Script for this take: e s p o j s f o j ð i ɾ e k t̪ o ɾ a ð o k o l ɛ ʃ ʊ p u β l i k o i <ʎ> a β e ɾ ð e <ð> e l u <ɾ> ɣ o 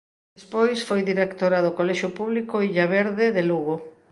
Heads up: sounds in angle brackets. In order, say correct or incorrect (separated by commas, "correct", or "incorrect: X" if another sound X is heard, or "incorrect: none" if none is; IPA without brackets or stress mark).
correct, correct, incorrect: none